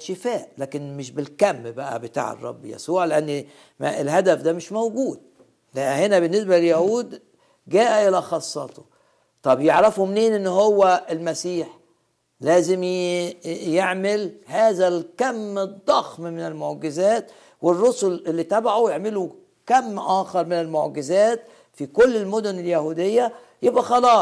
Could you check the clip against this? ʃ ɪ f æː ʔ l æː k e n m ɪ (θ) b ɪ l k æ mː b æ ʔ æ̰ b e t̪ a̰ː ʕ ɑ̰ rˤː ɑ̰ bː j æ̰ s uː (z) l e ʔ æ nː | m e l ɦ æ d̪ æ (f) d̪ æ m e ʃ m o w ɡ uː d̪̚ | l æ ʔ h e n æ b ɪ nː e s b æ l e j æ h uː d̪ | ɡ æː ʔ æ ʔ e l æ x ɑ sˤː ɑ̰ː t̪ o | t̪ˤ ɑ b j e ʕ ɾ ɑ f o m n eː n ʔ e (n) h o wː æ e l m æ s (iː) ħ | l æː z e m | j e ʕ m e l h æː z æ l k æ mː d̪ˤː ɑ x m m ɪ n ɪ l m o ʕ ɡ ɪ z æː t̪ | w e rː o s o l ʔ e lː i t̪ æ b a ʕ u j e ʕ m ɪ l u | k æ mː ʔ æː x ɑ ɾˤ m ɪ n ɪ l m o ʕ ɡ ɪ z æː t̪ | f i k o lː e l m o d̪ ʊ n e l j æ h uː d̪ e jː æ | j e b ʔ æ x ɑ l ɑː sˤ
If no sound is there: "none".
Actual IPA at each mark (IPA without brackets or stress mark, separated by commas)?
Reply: ʃ, ʕ, f, nː, iː